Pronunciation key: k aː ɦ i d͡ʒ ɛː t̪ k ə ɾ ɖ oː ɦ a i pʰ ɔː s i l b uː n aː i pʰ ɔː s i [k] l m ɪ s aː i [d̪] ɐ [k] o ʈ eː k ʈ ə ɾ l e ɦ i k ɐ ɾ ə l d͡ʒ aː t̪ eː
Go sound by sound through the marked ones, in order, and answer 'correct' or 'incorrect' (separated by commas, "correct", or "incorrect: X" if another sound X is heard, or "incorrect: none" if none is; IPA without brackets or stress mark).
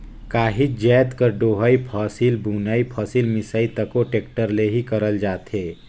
incorrect: none, incorrect: t̪, correct